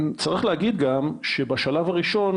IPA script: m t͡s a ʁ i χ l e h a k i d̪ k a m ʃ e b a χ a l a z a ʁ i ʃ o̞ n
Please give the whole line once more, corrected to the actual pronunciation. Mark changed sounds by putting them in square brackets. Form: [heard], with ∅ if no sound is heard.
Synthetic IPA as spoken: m t͡s a ʁ i χ l e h a [ɡ] i d̪ [ɡ] a m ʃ e b a [ʃ] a l a [v] a ʁ i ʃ o̞ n

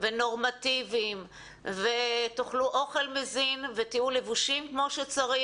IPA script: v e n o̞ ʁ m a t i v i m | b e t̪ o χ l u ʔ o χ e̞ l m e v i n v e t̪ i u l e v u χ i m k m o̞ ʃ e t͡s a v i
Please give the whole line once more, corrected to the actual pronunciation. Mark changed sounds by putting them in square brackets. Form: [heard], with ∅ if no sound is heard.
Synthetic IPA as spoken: v e n o̞ ʁ m a t i v i m | [v] e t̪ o χ l u ʔ o χ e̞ l m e [z] i n v e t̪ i u l e v u [ʃ] i m k m o̞ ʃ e t͡s a [ʁ] i

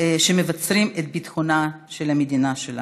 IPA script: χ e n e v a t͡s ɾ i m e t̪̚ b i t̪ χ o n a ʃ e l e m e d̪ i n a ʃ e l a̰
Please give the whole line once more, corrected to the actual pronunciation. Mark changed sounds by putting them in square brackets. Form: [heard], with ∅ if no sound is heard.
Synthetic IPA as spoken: [ʃ] e [m] e v a t͡s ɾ i m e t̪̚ b i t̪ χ o n a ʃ e l [a] m e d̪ i n a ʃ e l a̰

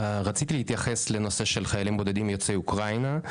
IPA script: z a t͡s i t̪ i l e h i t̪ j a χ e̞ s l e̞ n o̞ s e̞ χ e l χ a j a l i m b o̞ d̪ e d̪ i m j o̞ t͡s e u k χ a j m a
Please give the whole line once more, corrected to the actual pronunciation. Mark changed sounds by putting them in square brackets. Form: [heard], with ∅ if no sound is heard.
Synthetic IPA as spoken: [ʁ] a t͡s i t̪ i l e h i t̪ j a χ e̞ s l e̞ n o̞ s e̞ [ʃ] e l χ a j a l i m b o̞ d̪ e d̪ i m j o̞ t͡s e u k [ʁ] a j [n] a

